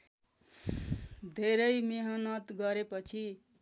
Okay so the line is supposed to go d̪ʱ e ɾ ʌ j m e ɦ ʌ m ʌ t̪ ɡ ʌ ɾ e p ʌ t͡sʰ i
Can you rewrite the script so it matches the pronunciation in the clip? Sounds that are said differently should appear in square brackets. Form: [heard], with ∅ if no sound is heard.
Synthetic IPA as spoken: d̪ʱ e ɾ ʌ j m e ɦ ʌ [n] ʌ t̪ ɡ ʌ ɾ e p ʌ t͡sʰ i